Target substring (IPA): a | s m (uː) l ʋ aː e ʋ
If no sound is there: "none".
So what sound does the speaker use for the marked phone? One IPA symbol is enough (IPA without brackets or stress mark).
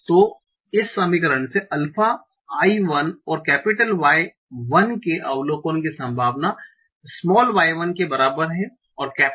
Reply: ɔː